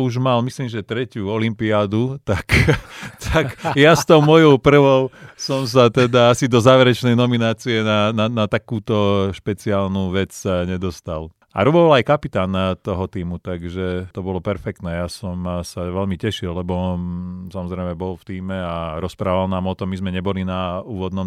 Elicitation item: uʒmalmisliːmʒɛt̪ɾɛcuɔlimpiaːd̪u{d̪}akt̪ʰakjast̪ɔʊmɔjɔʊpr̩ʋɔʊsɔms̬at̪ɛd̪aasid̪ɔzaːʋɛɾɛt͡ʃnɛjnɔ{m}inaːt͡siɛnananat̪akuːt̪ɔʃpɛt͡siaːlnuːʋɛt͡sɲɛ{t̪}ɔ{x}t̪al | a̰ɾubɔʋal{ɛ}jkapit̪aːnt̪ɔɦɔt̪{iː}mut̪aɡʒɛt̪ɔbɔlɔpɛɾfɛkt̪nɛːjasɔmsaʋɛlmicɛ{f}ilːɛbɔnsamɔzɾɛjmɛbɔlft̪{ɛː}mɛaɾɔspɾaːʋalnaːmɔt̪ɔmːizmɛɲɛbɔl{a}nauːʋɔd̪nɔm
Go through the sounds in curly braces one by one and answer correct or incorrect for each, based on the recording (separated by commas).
incorrect, correct, incorrect, incorrect, incorrect, correct, incorrect, incorrect, incorrect